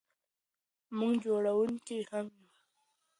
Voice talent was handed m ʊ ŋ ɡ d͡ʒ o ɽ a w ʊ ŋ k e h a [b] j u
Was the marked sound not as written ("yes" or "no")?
yes